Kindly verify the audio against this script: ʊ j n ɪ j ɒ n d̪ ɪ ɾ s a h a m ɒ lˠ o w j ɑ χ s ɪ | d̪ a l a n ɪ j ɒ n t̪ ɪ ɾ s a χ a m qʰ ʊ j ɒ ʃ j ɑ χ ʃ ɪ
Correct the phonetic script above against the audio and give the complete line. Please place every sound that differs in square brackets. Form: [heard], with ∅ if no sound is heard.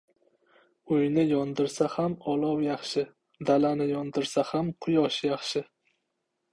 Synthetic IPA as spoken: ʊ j n ɪ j ɒ n d̪ ɪ ɾ s a h a m ɒ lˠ [ɒ] w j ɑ χ [ʃ] ɪ | d̪ a l a n ɪ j ɒ n [d̪] ɪ ɾ s a [h] a m qʰ ʊ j ɒ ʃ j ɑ χ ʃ ɪ